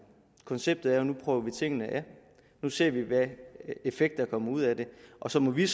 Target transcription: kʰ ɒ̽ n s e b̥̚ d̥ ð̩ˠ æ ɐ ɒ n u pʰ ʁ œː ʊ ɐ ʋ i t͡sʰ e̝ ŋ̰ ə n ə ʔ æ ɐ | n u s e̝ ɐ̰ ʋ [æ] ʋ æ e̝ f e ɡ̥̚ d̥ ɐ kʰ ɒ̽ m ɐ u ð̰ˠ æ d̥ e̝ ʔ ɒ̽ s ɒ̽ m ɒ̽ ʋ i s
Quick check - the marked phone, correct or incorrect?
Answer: incorrect